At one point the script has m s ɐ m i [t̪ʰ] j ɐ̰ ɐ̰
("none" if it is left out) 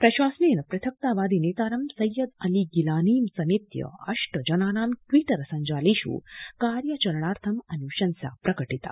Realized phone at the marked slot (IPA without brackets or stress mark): t̪